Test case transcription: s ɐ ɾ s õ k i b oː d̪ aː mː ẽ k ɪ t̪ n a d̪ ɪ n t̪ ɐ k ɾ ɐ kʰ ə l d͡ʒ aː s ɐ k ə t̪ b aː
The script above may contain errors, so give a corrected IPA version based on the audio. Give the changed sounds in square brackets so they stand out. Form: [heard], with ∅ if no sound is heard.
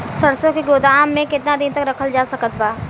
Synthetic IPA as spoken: s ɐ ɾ s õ k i [ɡ] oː d̪ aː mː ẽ k ɪ t̪ n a d̪ ɪ n t̪ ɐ k ɾ ɐ kʰ ə l d͡ʒ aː s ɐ k ə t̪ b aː